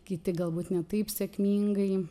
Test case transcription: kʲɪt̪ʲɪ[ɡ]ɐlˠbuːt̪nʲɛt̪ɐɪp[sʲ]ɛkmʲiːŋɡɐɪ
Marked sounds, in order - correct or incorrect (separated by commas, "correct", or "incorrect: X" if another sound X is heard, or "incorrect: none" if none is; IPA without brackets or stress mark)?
correct, correct